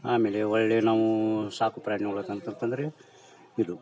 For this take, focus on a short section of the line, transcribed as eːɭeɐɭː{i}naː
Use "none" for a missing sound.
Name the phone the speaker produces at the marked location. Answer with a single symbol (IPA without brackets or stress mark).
e